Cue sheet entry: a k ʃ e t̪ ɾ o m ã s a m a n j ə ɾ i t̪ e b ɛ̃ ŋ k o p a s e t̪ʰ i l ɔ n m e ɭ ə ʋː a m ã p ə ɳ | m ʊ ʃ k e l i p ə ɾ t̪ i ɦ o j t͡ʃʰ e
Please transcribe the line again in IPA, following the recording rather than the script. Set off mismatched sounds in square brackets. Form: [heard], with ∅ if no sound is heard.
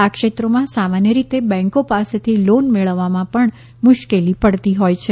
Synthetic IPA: a k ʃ e t̪ ɾ o m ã s a m a n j ə ɾ i t̪ e b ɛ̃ ŋ k o p a s e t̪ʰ i l [o] n m e ɭ ə ʋː a m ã p ə ɳ | m ʊ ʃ k e l i p ə [ɽ] t̪ i ɦ o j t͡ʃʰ e